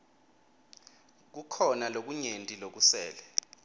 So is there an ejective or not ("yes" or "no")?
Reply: yes